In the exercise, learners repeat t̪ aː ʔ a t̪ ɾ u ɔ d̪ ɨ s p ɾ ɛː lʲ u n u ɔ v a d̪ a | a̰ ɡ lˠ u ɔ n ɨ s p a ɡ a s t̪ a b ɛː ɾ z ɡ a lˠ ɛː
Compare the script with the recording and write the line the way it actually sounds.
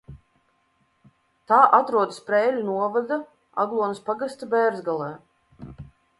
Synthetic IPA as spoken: t̪ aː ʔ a t̪ ɾ u ɔ d̪ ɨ s p ɾ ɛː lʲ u n u ɔ v a d̪ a | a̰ ɡ lˠ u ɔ n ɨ s p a ɡ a s t̪ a b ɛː ɾ z ɡ a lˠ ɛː